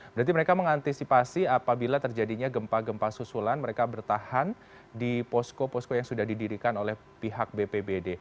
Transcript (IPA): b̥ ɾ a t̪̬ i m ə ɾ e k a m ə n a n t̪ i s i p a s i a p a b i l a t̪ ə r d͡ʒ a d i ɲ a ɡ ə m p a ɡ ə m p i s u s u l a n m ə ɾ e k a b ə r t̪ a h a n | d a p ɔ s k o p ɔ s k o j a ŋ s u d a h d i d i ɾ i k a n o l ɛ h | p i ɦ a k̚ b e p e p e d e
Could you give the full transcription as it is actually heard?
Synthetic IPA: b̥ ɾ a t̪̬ i m ə ɾ e k a m ə ŋ a n t̪ i s i p a s i a p a b i l a t̪ ə r d͡ʒ a d i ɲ a ɡ ə m p a ɡ ə m p a s u s u l a n m ə ɾ e k a b ə r t̪ a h a n | d i p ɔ s k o p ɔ s k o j a ŋ s u d a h d i d i ɾ i k a n o l ɛ h | p i ɦ a k̚ b e p e b e d e